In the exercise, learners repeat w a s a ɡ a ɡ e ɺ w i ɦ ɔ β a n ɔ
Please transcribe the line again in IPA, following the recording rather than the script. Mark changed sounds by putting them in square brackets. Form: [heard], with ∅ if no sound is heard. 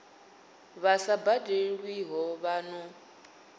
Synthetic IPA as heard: [β] a s a [b] a [d] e ɺ w i ɦ ɔ β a n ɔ